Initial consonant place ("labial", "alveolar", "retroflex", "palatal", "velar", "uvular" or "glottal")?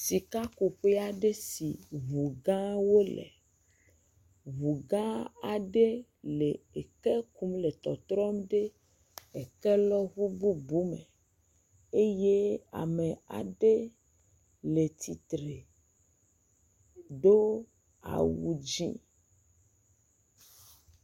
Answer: alveolar